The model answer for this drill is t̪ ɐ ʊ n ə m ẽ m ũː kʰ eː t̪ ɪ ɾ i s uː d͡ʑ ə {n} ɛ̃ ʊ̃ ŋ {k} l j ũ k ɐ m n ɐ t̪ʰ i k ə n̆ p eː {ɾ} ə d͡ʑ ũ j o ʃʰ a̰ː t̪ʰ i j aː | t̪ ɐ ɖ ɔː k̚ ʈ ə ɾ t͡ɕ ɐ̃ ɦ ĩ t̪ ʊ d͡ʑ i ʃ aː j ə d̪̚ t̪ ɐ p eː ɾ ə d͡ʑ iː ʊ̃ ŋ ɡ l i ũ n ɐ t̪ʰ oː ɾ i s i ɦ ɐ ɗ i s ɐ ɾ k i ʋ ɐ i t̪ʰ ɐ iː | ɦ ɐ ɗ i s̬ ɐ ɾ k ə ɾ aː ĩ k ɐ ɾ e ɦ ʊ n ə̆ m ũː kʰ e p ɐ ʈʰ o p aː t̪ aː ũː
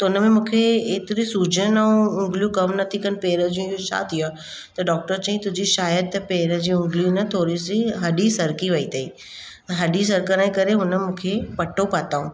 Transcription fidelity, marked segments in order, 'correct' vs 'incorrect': correct, incorrect, correct

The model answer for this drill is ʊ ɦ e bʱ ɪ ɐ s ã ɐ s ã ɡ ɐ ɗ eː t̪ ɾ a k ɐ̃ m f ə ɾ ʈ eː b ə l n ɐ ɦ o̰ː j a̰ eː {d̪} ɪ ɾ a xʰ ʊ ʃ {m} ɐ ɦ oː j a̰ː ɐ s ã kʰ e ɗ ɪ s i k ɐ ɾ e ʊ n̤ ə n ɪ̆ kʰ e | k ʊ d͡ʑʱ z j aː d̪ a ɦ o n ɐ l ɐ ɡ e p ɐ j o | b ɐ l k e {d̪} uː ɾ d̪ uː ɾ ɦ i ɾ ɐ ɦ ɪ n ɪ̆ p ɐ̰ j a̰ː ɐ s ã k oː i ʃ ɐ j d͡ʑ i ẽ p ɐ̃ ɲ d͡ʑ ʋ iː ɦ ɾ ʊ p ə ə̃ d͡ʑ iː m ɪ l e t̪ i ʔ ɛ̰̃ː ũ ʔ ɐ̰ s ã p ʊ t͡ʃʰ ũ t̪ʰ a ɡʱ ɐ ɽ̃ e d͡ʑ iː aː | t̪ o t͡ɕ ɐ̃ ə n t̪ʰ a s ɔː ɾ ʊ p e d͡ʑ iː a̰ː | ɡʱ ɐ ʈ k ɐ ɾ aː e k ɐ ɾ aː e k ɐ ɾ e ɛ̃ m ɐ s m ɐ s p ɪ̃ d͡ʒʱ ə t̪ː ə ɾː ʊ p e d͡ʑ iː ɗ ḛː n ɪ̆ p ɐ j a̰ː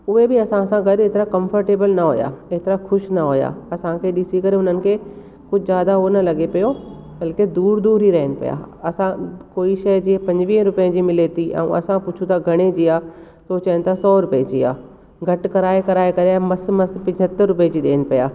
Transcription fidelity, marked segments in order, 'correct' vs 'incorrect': incorrect, incorrect, correct

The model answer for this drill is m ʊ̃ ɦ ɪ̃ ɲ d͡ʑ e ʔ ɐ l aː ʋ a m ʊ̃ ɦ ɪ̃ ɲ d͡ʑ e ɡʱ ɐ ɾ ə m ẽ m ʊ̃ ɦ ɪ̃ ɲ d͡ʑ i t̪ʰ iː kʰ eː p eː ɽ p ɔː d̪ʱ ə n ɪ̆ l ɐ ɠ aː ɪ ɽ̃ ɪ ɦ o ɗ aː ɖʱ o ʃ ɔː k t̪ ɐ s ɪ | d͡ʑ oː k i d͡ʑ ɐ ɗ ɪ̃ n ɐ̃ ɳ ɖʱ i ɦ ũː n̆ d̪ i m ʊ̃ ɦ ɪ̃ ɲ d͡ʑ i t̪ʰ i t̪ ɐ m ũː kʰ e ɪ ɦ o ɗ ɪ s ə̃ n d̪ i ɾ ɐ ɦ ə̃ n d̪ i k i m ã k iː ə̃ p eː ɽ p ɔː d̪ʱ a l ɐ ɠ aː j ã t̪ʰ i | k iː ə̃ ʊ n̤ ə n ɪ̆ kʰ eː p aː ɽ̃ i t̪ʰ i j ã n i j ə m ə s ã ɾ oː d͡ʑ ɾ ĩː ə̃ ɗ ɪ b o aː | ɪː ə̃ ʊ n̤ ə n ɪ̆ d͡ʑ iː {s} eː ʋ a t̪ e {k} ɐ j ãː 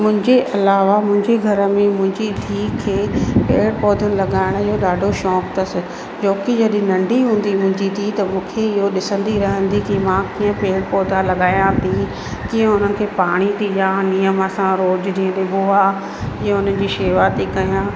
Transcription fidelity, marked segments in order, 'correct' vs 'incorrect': incorrect, correct

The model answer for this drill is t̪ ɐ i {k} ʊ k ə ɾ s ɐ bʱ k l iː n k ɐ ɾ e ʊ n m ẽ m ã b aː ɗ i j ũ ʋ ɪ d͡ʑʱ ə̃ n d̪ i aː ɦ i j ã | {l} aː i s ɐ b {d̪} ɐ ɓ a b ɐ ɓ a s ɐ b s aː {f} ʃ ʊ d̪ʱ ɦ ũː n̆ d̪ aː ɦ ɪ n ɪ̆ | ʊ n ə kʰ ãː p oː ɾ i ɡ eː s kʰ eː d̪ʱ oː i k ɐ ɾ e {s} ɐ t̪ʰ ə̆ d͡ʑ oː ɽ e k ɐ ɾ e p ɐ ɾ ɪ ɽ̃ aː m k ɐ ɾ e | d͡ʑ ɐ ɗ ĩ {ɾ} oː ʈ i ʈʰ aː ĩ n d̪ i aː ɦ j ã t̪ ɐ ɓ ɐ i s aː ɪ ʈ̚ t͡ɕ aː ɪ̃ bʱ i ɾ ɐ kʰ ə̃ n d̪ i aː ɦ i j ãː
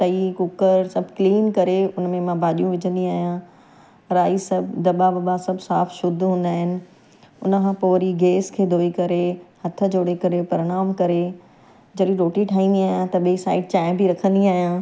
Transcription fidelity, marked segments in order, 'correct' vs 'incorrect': correct, incorrect, correct, correct, incorrect, correct

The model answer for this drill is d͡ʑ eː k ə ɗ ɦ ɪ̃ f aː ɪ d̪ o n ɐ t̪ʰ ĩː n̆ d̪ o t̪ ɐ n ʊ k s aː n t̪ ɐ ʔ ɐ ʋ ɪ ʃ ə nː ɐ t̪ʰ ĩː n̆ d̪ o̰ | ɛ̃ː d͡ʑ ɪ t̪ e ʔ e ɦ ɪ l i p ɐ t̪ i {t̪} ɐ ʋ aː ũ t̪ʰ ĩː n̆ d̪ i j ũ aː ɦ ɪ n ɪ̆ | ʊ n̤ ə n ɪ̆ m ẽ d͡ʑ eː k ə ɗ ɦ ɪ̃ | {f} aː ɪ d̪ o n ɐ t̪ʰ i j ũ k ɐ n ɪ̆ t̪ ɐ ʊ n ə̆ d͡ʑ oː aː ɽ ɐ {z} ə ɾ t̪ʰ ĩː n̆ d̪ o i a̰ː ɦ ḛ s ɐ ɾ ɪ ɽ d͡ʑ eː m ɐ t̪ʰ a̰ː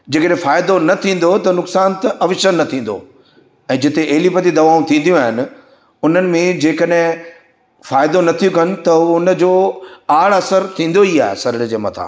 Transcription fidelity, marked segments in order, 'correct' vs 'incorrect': incorrect, correct, incorrect

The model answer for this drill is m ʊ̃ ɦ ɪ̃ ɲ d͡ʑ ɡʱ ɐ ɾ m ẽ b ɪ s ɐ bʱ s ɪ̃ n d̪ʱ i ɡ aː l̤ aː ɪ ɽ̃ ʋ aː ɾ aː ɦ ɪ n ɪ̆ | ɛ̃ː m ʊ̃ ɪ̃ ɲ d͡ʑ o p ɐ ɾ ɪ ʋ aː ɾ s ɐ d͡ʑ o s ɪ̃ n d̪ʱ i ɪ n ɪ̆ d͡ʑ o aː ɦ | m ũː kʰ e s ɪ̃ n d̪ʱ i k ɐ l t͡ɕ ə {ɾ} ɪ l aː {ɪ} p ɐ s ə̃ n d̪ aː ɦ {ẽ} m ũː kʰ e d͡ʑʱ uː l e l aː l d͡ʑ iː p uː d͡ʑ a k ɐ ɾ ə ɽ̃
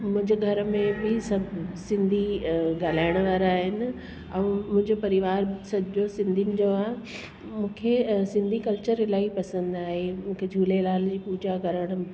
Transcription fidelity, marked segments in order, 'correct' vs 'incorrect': correct, incorrect, incorrect

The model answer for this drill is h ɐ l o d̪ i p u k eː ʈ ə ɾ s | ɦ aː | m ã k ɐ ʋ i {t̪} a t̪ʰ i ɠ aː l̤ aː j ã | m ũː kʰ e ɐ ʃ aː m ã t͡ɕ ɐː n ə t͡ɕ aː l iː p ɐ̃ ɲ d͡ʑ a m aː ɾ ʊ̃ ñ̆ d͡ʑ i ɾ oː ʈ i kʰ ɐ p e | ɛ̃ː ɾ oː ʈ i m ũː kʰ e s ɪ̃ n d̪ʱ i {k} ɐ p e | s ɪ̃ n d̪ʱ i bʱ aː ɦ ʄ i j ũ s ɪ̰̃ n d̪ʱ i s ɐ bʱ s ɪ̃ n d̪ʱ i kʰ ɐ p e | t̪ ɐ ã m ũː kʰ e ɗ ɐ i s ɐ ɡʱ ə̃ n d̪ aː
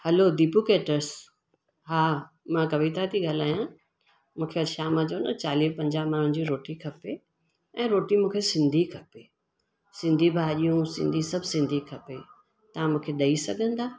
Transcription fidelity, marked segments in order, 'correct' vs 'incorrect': correct, incorrect

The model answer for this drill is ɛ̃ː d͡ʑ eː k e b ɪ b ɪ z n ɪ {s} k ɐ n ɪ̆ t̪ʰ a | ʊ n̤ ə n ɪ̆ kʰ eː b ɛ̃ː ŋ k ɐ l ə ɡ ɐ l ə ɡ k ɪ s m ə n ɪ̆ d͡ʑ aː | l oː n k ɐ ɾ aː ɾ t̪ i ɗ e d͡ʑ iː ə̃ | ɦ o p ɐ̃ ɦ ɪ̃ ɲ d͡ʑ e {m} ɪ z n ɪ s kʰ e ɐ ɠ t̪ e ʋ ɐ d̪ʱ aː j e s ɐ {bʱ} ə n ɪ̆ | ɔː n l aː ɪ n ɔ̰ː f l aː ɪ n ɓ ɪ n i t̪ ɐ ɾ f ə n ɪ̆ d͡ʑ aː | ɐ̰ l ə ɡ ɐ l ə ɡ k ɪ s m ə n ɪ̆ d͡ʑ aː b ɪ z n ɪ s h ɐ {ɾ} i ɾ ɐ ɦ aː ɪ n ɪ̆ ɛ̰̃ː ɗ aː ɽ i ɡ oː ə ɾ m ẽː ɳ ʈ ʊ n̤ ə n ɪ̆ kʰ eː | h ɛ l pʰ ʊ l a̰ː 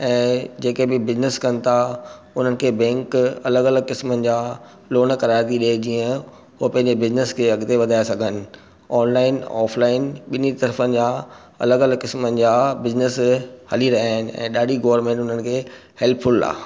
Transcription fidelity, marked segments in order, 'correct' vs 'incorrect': correct, incorrect, incorrect, incorrect

